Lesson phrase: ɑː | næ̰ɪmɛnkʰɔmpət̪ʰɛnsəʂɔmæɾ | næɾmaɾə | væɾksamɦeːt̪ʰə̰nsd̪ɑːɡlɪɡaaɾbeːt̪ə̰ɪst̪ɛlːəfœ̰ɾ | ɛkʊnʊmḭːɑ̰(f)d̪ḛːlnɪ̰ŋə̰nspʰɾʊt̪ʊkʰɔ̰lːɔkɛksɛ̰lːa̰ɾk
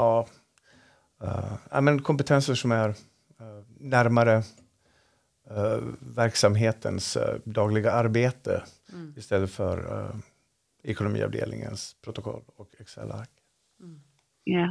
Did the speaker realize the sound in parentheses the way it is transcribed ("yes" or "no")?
no